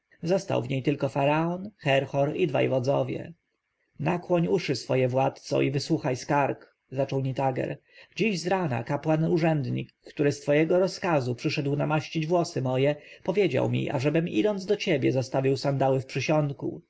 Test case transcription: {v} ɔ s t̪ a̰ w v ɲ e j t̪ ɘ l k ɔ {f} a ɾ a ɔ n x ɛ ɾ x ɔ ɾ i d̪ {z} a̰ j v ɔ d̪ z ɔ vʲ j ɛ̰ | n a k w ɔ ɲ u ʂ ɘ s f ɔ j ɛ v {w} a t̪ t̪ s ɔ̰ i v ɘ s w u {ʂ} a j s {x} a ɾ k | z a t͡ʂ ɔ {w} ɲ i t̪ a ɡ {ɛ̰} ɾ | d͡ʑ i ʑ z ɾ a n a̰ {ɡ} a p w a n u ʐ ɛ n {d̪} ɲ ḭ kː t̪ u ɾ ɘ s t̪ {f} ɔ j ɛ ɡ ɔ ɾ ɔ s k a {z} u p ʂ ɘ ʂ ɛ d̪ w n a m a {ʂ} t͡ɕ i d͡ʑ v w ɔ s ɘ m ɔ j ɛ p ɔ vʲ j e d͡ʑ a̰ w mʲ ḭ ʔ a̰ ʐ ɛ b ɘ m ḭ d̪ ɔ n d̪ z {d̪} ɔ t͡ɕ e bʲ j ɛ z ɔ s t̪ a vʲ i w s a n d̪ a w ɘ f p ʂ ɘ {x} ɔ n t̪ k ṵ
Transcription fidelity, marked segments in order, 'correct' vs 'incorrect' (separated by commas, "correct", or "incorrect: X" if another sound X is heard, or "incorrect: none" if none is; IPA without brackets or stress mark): incorrect: z, correct, incorrect: v, correct, incorrect: x, incorrect: k, correct, correct, incorrect: k, correct, correct, correct, incorrect: ɕ, correct, incorrect: ɕ